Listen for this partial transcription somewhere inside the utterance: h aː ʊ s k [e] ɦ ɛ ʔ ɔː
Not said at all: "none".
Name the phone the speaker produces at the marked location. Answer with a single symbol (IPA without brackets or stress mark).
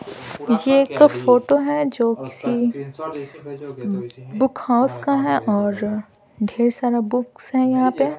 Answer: a